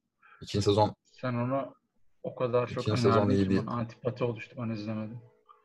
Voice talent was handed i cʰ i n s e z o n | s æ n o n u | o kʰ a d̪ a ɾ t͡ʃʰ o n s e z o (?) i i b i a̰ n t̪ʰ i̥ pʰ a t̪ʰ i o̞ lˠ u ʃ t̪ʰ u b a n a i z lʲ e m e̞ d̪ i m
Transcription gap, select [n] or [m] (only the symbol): n